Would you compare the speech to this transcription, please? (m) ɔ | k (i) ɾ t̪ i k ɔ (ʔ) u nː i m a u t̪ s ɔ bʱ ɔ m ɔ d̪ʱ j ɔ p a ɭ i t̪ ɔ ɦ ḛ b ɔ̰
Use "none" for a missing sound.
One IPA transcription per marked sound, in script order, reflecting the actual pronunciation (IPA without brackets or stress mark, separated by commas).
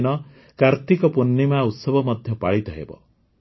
n, a, p